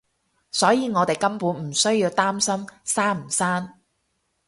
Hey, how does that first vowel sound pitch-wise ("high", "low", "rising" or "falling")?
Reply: rising